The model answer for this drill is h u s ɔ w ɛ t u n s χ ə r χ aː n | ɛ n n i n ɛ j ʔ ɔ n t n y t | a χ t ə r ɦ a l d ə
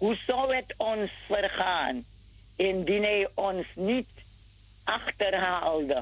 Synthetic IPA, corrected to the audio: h u s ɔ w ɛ t ɔ n s f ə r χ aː n | ɛ n d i n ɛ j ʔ ɔ n s n i t | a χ t ə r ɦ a l d ə